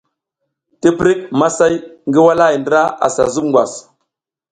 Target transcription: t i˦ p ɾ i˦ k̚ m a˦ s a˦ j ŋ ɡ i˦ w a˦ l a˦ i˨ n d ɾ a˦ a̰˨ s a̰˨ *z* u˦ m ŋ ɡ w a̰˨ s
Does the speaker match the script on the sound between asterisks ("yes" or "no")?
yes